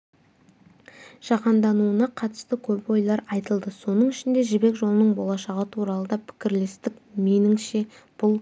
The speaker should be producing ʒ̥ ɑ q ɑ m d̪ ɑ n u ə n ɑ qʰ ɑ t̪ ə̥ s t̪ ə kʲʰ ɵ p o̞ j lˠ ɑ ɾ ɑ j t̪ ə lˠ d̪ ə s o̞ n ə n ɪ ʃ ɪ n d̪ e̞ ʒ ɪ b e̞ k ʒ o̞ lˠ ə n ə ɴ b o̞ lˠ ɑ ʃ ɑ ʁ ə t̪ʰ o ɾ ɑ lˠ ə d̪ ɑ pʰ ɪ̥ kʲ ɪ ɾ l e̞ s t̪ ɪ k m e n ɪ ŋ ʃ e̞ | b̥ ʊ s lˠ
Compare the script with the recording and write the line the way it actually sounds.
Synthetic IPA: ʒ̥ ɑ q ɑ n d̪ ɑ n u ə n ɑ qʰ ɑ t̪ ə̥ s t̪ ə kʲʰ ɵ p o̞ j lˠ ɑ ɾ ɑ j t̪ ə lˠ d̪ ə s o̞ n ə ɴ ɪ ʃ ɪ n d̪ e̞ ʒ ɪ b e̞ k ʒ o̞ lˠ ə n ə ɴ b o̞ lˠ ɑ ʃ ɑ ʁ ə t̪ʰ u ɾ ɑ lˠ ə d̪ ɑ pʰ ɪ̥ kʲ ɪ ɾ l e̞ s t̪ ɪ k m e n ɪ ŋ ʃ e̞ | b̥ ʊ lˠ